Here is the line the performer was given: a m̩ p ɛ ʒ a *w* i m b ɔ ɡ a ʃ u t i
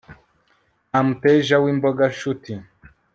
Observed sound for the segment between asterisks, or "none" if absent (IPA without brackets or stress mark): w